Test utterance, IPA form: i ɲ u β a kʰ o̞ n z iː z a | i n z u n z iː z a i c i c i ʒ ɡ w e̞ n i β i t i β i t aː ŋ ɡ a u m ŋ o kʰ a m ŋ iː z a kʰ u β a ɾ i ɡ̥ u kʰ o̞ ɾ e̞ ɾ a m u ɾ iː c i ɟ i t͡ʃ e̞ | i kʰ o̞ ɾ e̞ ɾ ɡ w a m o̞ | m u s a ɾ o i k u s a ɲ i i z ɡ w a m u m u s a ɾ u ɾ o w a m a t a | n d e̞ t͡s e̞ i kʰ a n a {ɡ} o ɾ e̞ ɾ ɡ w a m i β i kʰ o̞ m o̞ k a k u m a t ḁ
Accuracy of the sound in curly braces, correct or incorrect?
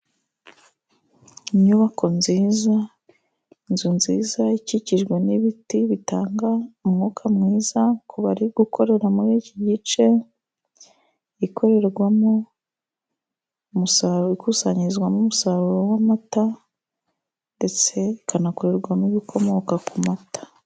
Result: incorrect